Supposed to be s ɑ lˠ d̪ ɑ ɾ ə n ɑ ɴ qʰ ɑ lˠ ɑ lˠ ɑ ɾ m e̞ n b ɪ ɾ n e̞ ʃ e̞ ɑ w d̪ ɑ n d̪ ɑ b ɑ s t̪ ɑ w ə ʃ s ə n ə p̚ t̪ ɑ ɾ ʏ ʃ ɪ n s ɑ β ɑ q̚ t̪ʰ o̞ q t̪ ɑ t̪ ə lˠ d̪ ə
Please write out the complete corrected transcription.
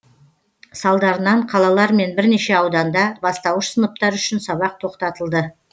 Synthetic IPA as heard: s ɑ lˠ d̪ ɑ ɾ ə n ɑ ɴ qʰ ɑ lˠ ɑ lˠ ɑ ɾ m e̞ n b ɪ ɾ n e̞ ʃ e̞ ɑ w d̪ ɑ n d̪ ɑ b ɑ s t̪ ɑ w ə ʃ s ə n ə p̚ t̪ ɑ ɾ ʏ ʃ ɪ n s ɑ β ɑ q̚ t̪ʰ o̞ q t̪ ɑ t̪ ə lˠ d̪ ə